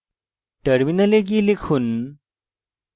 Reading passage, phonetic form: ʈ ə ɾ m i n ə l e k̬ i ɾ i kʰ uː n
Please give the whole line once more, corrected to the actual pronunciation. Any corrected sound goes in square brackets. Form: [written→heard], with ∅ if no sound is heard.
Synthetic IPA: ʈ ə ɾ m i n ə l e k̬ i [ɾ→l] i kʰ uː n